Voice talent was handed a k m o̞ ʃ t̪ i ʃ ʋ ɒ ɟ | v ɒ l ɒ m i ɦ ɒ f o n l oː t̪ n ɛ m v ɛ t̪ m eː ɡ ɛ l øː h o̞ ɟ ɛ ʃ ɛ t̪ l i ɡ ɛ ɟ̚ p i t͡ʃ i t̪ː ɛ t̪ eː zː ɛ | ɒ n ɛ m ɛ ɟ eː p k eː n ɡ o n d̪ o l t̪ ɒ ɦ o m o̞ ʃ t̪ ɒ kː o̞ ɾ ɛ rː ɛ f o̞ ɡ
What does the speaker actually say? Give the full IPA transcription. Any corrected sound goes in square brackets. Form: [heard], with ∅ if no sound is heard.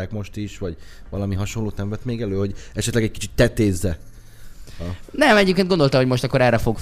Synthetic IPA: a k m o̞ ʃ t̪ i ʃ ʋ ɒ ɟ | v ɒ l ɒ m i ɦ ɒ [ʃ] o n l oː t̪ n ɛ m v ɛ t̪ m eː ɡ ɛ l øː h o̞ ɟ ɛ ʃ ɛ t̪ l [ɛ] ɡ ɛ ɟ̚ [k] i t͡ʃ i t̪ː ɛ t̪ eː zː ɛ | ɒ n ɛ m ɛ ɟ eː p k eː n ɡ o n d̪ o l t̪ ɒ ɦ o m o̞ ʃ t̪ ɒ kː o̞ ɾ ɛ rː ɛ f o̞ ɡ